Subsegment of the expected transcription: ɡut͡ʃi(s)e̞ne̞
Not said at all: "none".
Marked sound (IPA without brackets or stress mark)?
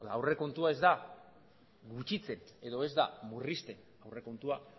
t͡s